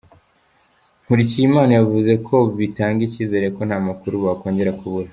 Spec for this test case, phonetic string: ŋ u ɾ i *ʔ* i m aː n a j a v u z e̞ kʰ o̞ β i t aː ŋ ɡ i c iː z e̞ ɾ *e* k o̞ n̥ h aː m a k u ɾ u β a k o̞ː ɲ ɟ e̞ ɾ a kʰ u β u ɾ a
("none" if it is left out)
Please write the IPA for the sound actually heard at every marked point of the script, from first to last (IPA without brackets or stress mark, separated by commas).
c, e